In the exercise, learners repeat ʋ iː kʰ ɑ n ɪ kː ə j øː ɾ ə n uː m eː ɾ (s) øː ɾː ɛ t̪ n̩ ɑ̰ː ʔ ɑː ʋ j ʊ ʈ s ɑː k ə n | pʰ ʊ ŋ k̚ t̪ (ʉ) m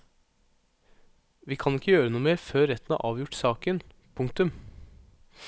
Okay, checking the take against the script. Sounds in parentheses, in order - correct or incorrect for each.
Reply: incorrect: f, correct

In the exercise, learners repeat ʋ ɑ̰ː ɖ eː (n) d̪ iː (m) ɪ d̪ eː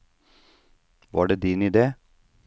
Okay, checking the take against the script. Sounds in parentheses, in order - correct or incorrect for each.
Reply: incorrect: none, incorrect: n

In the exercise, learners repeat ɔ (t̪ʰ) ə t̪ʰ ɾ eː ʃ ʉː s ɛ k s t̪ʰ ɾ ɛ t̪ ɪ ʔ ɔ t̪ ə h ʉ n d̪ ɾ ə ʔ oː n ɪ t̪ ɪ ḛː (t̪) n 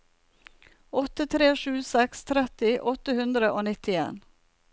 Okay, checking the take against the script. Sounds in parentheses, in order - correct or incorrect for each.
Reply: incorrect: t̪, incorrect: none

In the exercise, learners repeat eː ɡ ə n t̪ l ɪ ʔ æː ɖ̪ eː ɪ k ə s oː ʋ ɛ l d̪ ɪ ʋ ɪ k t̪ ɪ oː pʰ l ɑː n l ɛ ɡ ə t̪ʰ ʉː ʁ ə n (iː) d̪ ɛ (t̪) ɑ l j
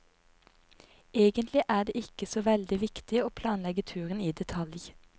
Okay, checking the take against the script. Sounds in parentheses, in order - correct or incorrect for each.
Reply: correct, incorrect: t̪ʰ

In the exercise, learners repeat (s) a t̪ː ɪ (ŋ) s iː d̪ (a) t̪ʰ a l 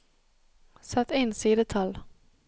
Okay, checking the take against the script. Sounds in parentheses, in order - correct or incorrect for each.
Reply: correct, incorrect: n, incorrect: ə

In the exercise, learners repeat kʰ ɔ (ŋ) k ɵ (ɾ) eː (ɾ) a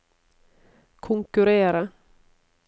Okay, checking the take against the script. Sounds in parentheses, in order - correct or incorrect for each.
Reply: correct, correct, correct

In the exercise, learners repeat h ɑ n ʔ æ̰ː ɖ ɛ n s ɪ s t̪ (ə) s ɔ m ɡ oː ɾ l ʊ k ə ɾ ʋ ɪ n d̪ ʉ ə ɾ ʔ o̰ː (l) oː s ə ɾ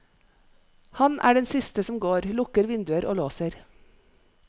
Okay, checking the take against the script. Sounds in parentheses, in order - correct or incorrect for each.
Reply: correct, correct

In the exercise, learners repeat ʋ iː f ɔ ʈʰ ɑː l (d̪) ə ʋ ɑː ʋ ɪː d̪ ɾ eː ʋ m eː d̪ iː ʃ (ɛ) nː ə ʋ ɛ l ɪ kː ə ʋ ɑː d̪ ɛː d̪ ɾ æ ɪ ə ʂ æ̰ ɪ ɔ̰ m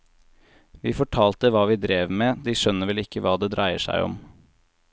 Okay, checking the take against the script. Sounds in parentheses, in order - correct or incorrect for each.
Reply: incorrect: t̪, incorrect: œ

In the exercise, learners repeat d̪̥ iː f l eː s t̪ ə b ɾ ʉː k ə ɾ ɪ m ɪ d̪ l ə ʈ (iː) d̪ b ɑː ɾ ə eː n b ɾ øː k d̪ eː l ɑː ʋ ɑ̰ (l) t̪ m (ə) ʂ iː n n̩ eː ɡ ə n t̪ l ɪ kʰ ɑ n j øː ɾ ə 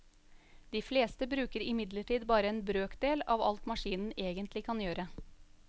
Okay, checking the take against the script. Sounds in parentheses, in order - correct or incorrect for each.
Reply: correct, correct, incorrect: ɑ

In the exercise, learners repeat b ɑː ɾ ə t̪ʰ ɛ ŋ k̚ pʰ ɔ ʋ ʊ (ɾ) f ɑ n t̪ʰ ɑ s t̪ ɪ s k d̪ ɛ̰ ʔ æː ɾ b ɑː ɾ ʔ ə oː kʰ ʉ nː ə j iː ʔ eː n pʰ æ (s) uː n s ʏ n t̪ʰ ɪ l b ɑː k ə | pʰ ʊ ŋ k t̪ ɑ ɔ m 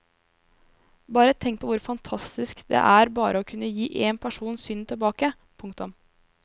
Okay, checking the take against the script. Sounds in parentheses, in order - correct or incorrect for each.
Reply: correct, incorrect: ʂ

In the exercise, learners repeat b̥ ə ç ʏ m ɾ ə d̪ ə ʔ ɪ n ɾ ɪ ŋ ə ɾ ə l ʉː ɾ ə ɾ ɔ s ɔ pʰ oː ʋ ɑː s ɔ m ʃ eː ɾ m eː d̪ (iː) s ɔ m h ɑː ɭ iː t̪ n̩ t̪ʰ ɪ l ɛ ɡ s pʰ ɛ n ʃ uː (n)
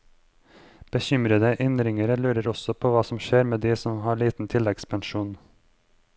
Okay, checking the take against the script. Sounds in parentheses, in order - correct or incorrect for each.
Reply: correct, correct

